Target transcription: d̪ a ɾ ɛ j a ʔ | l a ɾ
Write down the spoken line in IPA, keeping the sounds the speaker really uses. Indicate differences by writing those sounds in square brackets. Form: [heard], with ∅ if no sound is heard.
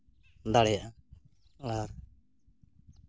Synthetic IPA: d̪ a [ɽ] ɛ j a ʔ | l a ɾ